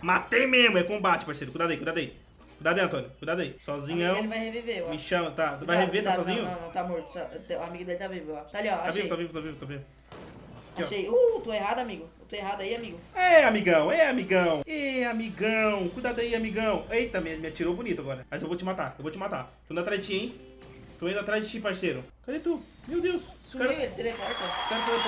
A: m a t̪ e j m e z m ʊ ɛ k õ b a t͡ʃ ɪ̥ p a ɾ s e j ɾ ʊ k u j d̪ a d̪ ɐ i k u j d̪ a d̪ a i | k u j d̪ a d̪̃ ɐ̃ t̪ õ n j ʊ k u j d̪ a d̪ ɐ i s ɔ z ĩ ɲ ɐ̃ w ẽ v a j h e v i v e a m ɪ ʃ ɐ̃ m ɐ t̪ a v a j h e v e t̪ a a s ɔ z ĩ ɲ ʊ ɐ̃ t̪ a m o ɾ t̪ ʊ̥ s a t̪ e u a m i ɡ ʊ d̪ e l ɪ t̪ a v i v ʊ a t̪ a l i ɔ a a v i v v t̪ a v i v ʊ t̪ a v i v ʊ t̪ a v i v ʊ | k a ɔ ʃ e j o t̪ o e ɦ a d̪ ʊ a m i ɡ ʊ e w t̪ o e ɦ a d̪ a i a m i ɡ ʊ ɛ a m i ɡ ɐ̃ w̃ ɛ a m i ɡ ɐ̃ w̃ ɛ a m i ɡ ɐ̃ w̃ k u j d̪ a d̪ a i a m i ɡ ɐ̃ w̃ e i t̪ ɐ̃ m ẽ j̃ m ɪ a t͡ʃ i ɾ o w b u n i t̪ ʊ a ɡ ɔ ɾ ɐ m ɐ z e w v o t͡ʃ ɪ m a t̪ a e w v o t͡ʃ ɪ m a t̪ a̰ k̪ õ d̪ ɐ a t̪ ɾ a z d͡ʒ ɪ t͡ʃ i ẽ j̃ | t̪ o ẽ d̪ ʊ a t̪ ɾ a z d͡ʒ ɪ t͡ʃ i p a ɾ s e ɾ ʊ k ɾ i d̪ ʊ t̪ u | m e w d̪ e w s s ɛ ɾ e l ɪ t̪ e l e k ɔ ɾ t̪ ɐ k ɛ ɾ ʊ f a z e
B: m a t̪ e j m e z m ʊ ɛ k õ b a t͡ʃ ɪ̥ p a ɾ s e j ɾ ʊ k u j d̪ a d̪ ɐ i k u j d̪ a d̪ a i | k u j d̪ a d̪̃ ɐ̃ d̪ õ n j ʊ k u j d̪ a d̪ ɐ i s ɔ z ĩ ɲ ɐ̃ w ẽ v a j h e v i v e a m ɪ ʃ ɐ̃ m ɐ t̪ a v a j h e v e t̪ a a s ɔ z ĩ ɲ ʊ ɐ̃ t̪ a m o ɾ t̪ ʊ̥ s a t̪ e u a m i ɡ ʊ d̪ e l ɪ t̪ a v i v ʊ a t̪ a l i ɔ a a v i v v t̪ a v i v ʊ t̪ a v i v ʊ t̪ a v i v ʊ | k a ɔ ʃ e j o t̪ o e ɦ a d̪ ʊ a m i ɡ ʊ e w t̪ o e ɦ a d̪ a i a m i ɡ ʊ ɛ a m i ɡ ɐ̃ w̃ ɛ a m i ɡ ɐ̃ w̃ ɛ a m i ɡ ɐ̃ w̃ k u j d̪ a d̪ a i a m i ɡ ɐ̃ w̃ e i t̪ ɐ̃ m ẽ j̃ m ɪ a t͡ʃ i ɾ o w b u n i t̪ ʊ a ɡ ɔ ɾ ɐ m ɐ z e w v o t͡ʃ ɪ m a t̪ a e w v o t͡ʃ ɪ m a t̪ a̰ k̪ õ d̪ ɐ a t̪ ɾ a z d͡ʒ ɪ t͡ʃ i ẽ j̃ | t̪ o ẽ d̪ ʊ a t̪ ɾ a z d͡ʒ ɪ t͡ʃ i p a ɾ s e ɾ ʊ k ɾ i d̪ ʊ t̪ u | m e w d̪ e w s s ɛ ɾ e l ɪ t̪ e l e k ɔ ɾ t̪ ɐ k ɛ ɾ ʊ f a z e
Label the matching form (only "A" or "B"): A